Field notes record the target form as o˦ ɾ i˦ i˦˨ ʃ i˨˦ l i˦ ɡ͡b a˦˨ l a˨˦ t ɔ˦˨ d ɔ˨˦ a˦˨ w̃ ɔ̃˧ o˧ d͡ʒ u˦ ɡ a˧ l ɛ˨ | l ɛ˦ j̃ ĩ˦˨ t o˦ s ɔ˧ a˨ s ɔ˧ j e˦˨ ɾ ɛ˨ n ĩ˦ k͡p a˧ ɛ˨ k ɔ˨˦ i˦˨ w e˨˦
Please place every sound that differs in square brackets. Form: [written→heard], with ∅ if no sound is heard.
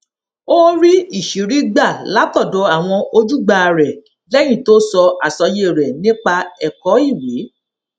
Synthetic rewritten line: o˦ ɾ i˦ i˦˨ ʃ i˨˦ [l→ɾ] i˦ ɡ͡b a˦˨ l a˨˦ t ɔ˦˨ d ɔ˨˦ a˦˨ w̃ ɔ̃˧ o˧ d͡ʒ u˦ [ɡ→ɡ͡b] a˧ [l→ɾ] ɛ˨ | l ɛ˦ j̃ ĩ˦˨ t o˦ s ɔ˧ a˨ s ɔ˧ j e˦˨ ɾ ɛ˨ n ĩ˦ k͡p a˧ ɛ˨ k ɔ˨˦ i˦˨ w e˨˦